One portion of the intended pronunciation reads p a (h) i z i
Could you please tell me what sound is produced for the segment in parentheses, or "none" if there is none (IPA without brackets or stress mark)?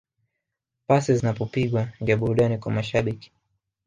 s